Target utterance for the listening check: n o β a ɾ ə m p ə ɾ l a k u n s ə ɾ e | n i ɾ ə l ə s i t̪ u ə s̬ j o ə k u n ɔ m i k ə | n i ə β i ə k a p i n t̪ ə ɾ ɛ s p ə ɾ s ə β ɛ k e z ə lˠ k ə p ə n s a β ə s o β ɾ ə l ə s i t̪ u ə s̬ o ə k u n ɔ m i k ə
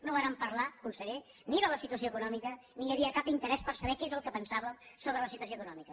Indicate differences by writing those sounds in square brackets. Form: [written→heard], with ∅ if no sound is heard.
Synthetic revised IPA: n o β a ɾ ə m p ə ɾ l a k u n s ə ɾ e | n i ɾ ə l ə s i t̪ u ə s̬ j o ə k u n ɔ m i k ə | n i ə β i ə k a p i n t̪ ə ɾ ɛ s p ə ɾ s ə β ɛ k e z ə lˠ k ə p ə n s a β ə s o β ɾ ə l ə s i t̪ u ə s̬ o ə k u n ɔ m i k ə